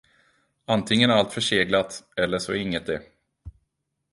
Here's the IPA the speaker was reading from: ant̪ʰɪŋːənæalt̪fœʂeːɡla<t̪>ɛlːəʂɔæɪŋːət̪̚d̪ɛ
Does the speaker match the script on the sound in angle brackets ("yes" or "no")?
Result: yes